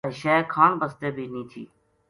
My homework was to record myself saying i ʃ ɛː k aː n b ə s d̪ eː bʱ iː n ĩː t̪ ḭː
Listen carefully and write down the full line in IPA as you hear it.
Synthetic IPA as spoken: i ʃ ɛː kʰ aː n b ə s t̪ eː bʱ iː n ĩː t̪ʰ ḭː